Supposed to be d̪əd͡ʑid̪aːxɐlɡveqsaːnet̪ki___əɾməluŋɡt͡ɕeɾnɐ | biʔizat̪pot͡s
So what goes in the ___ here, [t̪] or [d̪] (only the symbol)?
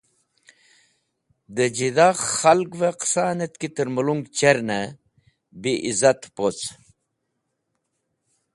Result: t̪